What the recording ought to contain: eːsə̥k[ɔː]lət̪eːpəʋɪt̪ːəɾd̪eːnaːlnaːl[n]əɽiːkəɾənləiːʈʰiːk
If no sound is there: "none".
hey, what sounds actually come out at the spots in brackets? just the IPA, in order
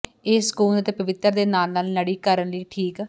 uː, n

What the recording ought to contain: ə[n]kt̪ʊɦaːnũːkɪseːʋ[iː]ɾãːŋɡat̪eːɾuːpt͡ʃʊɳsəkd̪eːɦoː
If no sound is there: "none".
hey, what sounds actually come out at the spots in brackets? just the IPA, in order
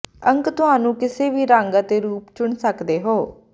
ŋ, iː

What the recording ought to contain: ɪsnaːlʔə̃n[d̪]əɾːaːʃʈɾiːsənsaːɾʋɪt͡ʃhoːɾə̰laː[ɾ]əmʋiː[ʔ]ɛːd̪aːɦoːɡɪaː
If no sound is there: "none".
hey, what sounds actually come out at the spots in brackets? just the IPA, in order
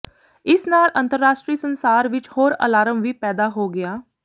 t̪, ɾ, p

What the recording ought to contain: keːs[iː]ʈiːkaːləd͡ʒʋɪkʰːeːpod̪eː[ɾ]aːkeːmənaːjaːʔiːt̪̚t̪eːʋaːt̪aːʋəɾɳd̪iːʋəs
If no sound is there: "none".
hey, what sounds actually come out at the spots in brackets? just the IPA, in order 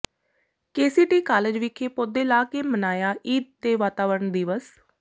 iː, l

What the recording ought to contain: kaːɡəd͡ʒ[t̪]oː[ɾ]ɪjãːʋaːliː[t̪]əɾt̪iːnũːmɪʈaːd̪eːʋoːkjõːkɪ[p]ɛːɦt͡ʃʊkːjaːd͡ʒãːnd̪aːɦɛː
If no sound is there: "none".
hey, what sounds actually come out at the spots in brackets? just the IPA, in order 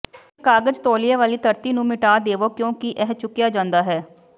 t̪, l, t̪, ʔ

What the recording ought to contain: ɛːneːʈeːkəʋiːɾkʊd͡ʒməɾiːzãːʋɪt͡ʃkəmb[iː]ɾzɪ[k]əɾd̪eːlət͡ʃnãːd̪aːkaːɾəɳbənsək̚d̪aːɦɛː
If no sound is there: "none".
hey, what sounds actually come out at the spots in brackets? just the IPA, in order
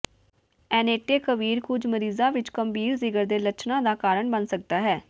iː, ɡ

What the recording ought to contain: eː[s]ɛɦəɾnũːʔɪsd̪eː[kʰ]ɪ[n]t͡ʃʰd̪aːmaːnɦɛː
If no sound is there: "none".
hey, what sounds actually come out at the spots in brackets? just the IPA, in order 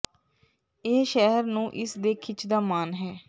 ʃ, kʰ, none

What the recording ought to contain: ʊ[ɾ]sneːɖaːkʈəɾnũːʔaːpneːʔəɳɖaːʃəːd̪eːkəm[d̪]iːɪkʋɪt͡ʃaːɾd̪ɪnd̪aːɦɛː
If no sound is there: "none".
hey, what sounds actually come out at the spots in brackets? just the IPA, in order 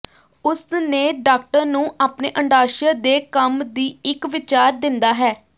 none, d̪

